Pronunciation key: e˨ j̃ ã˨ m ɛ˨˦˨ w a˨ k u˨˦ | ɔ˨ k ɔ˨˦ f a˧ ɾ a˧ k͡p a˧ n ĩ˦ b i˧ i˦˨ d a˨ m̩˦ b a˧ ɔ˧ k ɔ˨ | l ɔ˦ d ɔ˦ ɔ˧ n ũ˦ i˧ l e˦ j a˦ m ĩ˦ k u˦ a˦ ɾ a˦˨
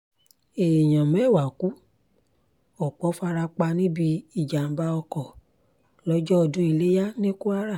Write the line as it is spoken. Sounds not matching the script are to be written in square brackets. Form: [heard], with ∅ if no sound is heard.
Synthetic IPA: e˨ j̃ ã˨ m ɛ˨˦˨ w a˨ k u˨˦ | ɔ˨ [k͡p] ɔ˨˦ f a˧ ɾ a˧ k͡p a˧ n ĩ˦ b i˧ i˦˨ [d͡ʒ] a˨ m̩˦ b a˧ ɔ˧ k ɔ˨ | l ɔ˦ [d͡ʒ] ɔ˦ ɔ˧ [d] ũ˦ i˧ l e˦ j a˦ [n] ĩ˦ k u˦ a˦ ɾ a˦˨